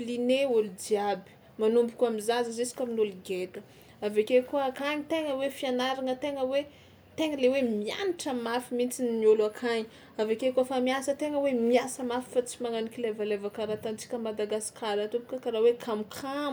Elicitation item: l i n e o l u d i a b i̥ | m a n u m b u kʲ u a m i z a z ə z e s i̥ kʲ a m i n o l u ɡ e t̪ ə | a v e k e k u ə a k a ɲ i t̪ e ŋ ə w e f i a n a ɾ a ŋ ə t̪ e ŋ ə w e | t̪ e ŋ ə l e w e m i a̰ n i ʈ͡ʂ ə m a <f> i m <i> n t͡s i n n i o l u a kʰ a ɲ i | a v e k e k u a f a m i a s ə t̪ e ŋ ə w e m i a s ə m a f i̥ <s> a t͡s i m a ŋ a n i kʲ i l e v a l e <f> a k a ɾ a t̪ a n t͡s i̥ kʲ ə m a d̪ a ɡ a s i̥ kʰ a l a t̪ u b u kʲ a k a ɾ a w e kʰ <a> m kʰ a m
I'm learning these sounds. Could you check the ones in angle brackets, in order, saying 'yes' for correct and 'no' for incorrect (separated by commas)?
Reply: yes, yes, no, no, yes